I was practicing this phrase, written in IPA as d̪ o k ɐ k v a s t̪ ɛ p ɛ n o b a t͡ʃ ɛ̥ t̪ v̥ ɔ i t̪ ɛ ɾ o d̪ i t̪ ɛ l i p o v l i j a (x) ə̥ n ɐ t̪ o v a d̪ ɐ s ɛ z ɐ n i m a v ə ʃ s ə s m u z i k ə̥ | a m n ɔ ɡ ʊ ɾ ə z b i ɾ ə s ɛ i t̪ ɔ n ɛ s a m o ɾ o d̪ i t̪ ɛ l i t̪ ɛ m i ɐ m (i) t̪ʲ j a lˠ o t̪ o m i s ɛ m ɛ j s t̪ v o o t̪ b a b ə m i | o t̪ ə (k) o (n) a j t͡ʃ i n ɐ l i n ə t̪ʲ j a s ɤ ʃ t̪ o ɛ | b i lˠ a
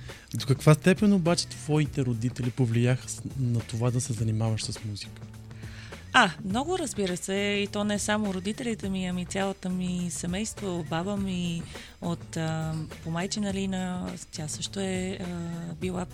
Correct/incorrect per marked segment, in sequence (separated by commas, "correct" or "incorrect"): correct, correct, incorrect, incorrect